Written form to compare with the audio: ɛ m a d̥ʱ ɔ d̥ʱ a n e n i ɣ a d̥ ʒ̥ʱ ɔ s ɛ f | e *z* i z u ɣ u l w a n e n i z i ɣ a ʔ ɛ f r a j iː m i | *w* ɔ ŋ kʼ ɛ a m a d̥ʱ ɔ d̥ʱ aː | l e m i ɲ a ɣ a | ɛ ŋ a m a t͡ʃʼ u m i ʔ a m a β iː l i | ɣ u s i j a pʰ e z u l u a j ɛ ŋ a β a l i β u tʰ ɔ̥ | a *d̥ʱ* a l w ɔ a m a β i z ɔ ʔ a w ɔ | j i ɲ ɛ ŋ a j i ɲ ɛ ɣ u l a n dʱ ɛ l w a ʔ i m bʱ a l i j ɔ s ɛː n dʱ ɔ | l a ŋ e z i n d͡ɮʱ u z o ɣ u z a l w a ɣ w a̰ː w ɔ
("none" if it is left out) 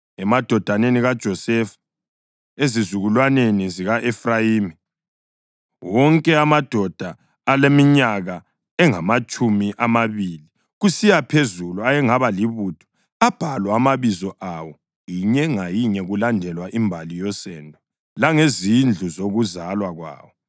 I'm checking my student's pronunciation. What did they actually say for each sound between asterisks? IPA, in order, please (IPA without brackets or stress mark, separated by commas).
z, w, b̥ʱ